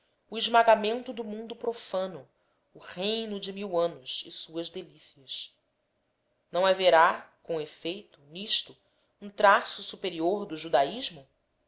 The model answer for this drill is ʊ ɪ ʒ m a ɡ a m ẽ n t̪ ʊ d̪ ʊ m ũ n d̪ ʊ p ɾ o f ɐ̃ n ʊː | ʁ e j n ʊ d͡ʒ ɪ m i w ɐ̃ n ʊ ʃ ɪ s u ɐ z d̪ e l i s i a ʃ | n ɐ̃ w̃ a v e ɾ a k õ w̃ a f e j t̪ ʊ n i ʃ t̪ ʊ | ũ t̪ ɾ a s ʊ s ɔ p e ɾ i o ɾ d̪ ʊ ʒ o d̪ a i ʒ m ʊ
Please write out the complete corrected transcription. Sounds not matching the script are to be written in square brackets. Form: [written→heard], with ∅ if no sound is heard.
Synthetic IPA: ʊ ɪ ʒ m a ɡ a m ẽ n t̪ ʊ d̪ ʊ m ũ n d̪ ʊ p ɾ o f ɐ̃ n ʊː | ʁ e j n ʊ d͡ʒ ɪ m i w ɐ̃ n ʊ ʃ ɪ s u ɐ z d̪ e l i s i [a→ɐ] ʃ | n ɐ̃ w̃ a v e ɾ a k õ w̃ [a→e] f e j t̪ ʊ n i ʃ t̪ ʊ | ũ t̪ ɾ a s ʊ s [ɔ→u] p e ɾ i o ɾ d̪ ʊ ʒ [o→u] d̪ a i ʒ m ʊ